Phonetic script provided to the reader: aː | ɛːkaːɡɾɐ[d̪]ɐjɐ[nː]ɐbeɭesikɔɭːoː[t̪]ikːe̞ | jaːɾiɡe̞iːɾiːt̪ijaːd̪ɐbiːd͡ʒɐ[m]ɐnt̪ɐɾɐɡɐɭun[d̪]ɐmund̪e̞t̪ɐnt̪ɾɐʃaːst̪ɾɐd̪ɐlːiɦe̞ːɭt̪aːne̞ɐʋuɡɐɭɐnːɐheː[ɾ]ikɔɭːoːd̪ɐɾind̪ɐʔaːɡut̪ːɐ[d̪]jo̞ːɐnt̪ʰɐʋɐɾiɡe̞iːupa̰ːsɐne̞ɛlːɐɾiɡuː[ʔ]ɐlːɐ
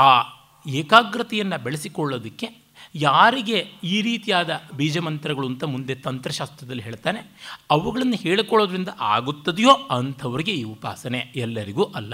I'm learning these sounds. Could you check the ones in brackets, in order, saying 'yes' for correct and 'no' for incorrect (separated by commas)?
no, yes, no, yes, no, no, yes, yes